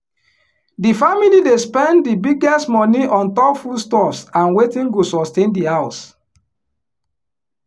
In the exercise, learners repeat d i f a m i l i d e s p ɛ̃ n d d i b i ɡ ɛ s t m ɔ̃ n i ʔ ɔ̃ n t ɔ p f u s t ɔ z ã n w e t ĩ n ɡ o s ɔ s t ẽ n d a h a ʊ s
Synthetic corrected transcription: d i f a m i l i d e s p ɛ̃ n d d i b i ɡ ɛ s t m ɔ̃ n i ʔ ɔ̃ n t ɔ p f u s t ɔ s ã n w e t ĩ n ɡ o s ɔ s t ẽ n d i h a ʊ s